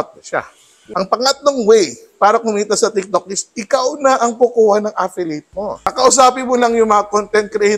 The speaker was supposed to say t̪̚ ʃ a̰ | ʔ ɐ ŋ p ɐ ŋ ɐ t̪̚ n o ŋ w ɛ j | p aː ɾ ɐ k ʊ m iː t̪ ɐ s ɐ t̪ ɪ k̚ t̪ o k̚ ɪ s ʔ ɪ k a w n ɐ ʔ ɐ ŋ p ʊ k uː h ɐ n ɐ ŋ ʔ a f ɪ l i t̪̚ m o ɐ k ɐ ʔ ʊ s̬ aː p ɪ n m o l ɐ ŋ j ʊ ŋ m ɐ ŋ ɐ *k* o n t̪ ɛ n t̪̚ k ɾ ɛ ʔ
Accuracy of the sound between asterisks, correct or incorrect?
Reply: correct